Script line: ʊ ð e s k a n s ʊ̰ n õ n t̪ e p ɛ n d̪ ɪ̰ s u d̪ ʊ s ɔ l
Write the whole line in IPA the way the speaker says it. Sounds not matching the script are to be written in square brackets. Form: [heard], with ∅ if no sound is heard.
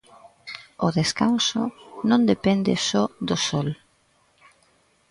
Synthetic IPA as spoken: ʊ ð e s k a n s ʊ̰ n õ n [d̪] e p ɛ n d̪ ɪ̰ s [ɔ] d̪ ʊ s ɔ l